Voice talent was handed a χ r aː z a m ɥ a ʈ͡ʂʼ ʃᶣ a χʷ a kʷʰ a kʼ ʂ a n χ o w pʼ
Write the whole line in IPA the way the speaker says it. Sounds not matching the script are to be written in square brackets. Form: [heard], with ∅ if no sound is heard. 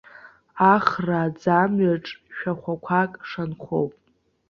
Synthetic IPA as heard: a χ r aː [d͡z] a m ɥ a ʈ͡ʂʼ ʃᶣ a χʷ a kʷʰ a kʼ ʂ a n χ o w pʼ